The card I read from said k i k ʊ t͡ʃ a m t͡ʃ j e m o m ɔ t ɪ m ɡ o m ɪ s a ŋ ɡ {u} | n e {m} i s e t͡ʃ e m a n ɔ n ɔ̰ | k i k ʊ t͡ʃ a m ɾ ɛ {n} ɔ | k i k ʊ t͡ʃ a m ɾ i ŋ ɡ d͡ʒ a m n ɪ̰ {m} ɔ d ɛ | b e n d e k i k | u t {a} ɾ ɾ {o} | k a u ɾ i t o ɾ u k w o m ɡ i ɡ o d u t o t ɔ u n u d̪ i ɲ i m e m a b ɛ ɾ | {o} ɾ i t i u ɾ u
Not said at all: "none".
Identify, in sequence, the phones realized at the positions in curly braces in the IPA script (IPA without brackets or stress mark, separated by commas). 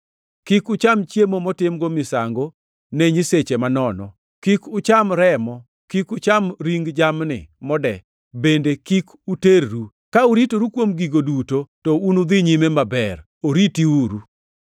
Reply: o, ɲ, m, m, e, u, o